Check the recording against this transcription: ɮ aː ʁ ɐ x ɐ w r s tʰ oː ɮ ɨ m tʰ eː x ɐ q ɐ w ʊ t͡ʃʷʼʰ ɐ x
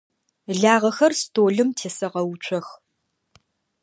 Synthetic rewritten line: ɮ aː ʁ ɐ x ɐ r s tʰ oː ɮ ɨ m tʰ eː s ɐ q ɐ w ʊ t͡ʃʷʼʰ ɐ x